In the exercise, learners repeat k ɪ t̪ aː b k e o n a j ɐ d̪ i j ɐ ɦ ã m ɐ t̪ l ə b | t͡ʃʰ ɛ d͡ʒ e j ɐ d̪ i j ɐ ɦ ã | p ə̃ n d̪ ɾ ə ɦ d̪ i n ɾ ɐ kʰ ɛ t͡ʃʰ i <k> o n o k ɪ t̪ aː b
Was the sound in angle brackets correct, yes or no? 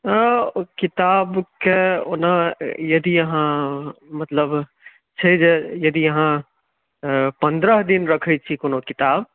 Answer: yes